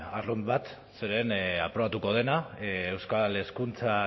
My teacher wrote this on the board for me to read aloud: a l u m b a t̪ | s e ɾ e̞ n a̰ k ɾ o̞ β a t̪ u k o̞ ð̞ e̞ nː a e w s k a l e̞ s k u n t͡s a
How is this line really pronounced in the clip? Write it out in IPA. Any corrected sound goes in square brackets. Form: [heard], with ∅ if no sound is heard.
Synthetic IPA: a [r] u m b a t̪ | s e ɾ e̞ n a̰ [p] ɾ o̞ β a t̪ u k o̞ ð̞ e̞ [n] a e w s k a l e̞ s k u n t͡s a